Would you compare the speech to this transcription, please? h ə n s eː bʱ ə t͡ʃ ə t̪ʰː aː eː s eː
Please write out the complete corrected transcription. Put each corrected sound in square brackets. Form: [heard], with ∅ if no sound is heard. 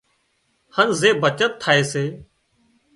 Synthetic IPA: h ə n [z] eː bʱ ə t͡ʃ ə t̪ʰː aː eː s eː